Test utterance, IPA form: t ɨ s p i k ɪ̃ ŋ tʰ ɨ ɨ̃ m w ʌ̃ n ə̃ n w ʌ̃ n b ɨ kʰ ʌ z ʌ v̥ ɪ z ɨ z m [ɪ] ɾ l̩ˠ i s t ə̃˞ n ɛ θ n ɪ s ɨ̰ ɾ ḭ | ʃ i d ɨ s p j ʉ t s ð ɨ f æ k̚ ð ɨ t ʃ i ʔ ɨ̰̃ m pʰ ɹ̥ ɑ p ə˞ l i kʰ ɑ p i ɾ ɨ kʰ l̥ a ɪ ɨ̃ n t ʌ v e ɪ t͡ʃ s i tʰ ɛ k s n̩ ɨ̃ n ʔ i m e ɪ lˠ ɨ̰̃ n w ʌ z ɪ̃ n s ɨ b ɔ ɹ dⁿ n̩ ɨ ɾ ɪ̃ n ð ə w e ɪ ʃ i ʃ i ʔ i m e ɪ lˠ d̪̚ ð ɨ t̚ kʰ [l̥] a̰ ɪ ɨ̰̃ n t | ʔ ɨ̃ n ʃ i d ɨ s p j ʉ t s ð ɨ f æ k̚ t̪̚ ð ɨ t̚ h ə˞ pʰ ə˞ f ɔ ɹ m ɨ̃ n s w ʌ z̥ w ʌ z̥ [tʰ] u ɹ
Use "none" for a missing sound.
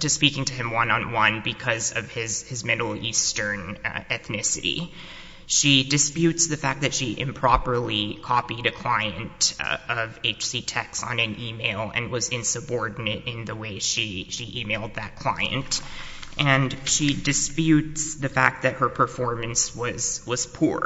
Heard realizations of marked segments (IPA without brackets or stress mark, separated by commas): ɪ, l̥, pʰ